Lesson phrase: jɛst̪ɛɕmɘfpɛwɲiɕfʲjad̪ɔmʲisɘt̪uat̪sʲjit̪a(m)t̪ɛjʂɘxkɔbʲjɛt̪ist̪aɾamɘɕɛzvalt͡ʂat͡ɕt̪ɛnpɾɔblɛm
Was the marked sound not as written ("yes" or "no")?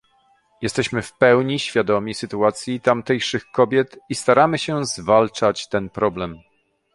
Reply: no